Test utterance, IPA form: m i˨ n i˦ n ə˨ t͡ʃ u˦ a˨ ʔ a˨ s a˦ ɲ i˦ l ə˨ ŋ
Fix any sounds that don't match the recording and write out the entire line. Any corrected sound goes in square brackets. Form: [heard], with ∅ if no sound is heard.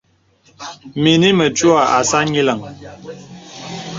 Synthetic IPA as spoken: m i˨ n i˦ [m] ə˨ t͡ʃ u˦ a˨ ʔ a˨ s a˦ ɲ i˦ l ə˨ ŋ